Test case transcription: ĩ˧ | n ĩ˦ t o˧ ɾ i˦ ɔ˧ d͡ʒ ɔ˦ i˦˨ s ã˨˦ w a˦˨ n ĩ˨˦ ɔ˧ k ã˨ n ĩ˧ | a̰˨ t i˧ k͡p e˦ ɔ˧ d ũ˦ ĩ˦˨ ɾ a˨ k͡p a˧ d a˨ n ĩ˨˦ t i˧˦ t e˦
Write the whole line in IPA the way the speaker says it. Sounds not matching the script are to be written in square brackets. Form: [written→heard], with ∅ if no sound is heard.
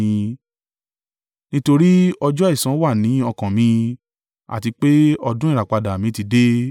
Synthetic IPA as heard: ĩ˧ | n ĩ˦ t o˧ ɾ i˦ ɔ˧ d͡ʒ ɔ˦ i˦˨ s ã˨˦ w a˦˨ n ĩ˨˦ ɔ˧ k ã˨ [n→m] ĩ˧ | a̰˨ t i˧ k͡p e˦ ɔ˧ d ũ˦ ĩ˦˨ ɾ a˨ k͡p a˧ d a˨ [n→m] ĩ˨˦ t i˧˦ [t→d] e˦

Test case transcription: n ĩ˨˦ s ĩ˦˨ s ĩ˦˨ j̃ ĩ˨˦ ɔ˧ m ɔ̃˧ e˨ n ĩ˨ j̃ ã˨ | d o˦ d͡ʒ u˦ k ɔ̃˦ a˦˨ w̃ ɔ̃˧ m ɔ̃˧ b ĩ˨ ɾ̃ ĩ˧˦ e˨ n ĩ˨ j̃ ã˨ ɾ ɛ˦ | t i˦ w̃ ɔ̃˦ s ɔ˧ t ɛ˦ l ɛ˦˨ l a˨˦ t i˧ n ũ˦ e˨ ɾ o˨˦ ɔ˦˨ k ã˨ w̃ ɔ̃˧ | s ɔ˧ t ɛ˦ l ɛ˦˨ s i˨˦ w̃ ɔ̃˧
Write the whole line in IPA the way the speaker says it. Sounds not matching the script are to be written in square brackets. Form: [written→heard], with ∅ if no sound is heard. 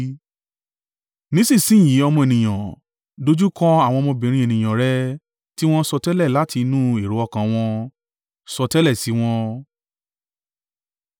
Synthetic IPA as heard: n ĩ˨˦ s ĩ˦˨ s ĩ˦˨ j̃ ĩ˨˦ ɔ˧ m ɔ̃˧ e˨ n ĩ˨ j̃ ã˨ | d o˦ d͡ʒ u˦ k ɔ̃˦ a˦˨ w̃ ɔ̃˧ m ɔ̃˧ b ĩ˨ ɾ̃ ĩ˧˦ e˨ n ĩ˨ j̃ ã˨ ɾ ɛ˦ | t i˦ w̃ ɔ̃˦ s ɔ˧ t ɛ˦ l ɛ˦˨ l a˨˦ t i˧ n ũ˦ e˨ ɾ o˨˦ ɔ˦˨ k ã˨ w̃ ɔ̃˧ | s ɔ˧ t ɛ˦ l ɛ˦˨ s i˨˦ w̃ ɔ̃˧

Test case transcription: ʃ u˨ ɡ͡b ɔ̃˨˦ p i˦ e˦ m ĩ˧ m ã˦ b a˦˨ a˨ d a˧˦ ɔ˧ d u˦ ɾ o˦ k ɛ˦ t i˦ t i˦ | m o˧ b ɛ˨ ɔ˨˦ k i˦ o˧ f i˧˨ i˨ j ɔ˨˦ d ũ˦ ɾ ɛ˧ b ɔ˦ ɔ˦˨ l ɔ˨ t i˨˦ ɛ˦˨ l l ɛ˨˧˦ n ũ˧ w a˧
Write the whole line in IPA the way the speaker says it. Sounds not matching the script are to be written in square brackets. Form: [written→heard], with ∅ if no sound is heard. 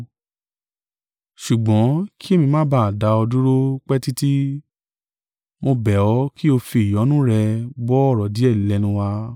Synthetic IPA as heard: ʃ u˨ ɡ͡b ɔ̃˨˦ [p→k] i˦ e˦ m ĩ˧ m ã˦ b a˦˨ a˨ d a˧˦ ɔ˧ d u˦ ɾ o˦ [k→k͡p] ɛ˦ t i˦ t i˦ | m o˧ b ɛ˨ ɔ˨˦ k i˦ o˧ f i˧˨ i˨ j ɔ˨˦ [d→n] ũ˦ ɾ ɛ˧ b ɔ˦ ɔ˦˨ [l→ɾ] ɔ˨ [t→d] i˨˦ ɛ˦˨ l l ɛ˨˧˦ n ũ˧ w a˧

